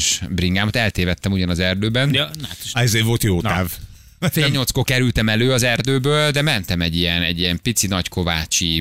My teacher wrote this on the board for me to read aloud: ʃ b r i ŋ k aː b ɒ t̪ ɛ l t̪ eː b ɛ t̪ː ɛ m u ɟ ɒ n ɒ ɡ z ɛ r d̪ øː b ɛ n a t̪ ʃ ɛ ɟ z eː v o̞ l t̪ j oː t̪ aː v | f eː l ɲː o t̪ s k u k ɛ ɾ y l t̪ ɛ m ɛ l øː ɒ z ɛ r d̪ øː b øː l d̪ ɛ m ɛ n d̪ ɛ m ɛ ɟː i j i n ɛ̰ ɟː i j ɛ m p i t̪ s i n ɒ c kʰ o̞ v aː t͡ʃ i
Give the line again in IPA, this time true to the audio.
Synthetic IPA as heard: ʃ b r i ŋ ɡ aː m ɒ t̪ ɛ l t̪ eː v ɛ t̪ː ɛ m u ɟ ɒ n ɒ z ɛ r d̪ øː b ɛ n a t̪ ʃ ɛ z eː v o̞ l t̪ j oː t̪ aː v | f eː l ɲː o t̪ s k o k ɛ ɾ y l t̪ ɛ m ɛ l øː ɒ z ɛ r d̪ øː b øː l d̪ ɛ m ɛ n t̪ ɛ m ɛ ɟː i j ɛ n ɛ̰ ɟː i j ɛ m p i t̪ s i n ɒ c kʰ o̞ v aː t͡ʃ i